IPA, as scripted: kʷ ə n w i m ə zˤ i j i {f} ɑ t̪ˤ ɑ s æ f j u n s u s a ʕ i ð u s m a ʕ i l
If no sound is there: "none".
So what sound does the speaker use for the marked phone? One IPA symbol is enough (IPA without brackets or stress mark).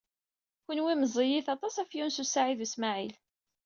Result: θ